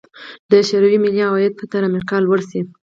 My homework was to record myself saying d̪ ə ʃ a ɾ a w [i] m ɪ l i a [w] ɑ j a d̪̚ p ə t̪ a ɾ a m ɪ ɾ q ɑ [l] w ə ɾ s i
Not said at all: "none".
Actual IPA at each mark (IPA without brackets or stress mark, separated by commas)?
i, w, l